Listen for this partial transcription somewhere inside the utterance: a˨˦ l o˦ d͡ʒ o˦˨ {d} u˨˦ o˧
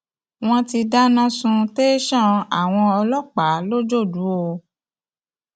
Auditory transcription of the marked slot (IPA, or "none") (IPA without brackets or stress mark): d